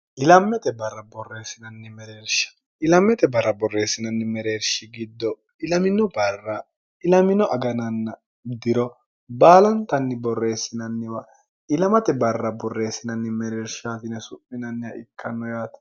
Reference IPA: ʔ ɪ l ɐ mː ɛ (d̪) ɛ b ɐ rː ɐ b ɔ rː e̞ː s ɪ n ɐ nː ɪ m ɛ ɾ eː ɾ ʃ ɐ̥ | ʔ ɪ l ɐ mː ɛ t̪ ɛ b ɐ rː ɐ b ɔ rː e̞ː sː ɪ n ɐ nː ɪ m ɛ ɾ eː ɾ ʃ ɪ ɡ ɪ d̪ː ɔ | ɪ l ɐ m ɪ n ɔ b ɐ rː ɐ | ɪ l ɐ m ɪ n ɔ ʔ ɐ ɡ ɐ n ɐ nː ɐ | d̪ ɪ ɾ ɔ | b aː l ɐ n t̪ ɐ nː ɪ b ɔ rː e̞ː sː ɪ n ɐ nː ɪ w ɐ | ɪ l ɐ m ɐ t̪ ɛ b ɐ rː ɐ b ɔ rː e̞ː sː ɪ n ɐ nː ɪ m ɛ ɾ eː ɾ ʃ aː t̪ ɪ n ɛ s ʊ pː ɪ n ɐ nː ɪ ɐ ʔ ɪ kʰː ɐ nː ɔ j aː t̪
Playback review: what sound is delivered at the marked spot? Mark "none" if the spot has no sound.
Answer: t̪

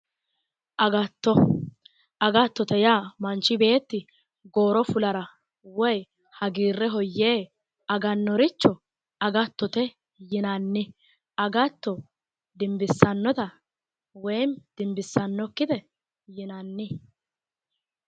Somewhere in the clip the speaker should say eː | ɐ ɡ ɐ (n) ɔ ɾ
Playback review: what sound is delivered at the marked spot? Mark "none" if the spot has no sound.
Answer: nː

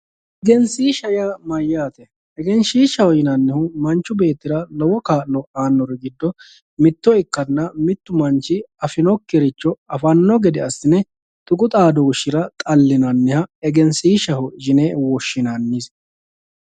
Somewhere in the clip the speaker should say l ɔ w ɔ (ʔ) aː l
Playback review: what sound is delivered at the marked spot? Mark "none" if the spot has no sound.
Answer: k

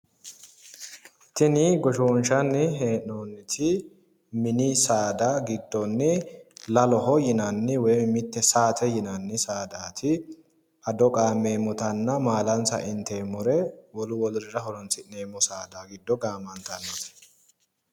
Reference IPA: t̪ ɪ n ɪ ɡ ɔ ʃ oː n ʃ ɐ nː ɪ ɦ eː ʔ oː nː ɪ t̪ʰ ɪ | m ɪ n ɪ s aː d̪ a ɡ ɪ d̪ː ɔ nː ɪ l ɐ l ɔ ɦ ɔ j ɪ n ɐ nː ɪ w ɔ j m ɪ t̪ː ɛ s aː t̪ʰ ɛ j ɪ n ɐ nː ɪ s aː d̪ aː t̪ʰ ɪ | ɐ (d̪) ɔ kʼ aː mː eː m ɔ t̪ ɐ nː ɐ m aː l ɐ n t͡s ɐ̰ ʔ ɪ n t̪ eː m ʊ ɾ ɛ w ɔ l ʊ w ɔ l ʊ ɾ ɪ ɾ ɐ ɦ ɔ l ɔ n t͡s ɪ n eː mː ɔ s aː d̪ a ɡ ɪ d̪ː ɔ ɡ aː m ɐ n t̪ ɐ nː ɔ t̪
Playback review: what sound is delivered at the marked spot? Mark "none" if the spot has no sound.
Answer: d̪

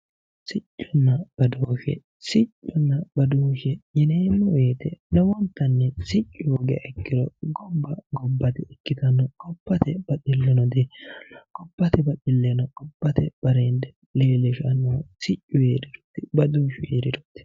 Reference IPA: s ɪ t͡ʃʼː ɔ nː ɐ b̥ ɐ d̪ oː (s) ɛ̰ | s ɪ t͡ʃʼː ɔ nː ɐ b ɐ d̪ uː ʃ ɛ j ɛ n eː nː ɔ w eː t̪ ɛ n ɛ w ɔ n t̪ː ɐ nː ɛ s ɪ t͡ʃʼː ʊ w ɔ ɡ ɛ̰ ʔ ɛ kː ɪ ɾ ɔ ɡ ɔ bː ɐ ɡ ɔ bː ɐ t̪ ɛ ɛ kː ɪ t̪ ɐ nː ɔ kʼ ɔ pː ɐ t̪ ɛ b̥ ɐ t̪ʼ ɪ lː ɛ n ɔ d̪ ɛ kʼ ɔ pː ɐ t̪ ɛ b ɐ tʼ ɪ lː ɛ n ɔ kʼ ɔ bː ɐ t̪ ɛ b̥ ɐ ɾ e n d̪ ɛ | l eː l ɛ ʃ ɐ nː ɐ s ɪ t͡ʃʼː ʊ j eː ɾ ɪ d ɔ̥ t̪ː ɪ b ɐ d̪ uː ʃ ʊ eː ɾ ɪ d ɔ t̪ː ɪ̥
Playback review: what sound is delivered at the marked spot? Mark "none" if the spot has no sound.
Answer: ʃ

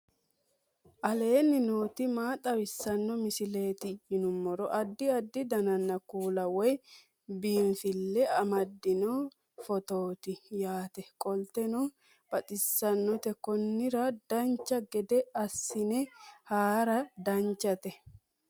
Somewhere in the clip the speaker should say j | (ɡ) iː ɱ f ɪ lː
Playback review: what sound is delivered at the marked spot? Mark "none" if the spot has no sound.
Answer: b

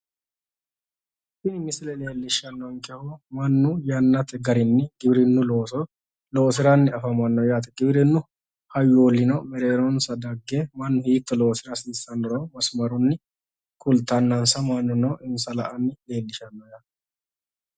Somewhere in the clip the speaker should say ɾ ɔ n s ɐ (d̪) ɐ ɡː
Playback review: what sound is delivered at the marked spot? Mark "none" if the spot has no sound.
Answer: d̪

